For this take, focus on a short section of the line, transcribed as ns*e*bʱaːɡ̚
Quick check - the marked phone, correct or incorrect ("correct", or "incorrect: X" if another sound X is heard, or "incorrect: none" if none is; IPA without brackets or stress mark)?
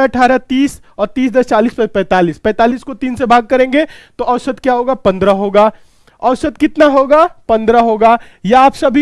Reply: correct